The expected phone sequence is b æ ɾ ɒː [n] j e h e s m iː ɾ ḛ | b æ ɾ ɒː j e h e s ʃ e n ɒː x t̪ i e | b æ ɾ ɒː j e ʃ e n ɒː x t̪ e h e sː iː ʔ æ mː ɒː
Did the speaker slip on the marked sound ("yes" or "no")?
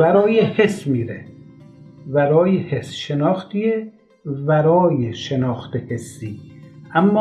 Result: yes